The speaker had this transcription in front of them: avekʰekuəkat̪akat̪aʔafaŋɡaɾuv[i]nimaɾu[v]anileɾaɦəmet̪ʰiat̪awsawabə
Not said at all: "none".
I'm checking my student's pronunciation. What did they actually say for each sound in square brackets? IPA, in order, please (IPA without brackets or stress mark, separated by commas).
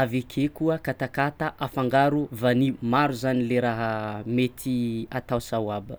a, z